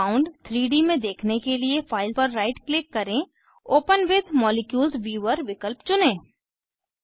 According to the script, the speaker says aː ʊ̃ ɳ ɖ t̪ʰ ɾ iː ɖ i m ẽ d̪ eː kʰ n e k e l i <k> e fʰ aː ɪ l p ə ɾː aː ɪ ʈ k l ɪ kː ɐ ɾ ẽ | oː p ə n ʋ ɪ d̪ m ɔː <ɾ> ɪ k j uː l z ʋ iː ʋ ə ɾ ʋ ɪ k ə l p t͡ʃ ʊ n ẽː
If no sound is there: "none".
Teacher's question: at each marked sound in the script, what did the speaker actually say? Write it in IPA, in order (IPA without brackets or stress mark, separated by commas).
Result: none, l